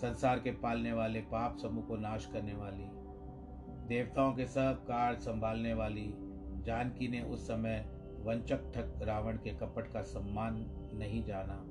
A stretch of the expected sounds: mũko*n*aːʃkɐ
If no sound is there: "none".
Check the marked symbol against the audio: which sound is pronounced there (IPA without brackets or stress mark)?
n